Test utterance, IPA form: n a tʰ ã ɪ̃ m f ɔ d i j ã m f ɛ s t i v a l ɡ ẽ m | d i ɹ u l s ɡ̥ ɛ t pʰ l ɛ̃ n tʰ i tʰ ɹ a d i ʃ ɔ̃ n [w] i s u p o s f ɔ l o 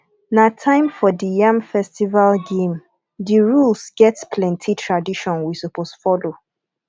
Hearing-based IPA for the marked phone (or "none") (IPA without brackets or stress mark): w